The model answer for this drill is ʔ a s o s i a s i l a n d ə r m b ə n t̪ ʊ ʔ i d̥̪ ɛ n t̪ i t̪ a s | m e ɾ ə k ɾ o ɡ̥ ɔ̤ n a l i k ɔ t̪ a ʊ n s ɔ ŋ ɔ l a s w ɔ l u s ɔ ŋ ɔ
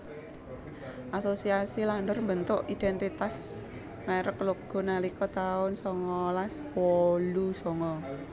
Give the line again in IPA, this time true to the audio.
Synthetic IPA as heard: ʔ a s o s i a s i l a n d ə r m b ə n t̪ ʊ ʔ i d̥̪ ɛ n t̪ i t̪ a s | m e ɾ ə k l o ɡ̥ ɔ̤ n a l i k ɔ t̪ a ʊ n s ɔ ŋ ɔ l a s w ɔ l u s ɔ ŋ ɔ